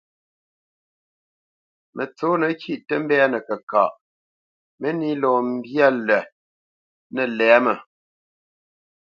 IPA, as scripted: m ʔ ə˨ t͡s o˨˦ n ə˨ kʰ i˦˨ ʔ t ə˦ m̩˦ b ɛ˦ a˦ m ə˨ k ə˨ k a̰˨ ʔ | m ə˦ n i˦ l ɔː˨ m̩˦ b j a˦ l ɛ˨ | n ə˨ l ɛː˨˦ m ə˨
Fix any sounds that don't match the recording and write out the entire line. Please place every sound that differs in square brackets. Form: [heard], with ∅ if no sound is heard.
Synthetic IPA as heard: m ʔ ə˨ t͡s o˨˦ n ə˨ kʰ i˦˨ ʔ t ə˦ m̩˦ b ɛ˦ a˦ [n] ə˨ k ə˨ k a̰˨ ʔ | m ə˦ n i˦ l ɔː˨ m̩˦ b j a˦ l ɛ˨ | n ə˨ l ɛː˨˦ m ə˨